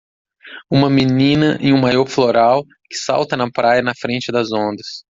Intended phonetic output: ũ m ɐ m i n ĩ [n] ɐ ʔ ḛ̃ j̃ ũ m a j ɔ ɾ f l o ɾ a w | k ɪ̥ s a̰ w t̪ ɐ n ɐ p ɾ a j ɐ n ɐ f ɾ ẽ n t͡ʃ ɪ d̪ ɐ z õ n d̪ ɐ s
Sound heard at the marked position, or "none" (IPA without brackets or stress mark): n